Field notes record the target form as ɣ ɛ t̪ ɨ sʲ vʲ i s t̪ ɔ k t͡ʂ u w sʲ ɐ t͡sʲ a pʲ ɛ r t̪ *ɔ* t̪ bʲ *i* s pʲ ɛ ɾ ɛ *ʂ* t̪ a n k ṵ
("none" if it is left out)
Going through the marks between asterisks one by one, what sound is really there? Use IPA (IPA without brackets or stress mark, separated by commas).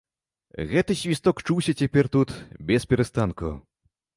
u, ɛ, s